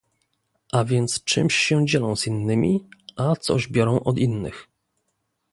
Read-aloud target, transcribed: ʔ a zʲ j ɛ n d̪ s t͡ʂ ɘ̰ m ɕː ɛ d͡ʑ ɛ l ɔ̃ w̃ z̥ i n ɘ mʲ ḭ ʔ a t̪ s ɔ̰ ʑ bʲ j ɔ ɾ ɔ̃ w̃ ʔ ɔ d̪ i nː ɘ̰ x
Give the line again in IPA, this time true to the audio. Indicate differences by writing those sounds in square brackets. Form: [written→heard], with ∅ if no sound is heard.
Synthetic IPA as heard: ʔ a [zʲ→vʲ] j ɛ n [d̪→t̪] s t͡ʂ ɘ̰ m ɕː ɛ d͡ʑ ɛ l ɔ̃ w̃ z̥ i [n→nː] ɘ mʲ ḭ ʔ a t̪ s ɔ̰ ʑ bʲ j ɔ ɾ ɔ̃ w̃ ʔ ɔ d̪ i nː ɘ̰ x